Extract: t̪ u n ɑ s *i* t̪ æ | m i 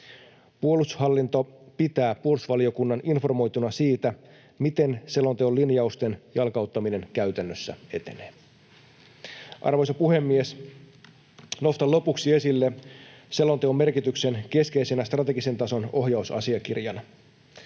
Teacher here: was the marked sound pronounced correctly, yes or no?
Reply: no